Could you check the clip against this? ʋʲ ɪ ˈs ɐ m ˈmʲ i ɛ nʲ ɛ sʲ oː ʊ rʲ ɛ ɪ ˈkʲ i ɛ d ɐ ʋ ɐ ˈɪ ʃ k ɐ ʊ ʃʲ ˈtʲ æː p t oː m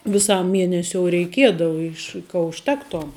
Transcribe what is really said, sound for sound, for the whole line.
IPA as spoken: ʋʲ ɪ ˈs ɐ m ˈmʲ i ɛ nʲ ɛ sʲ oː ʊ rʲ ɛ ɪ ˈkʲ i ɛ d ɐ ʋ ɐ ˈɪ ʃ k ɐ ʊ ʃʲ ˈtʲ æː k t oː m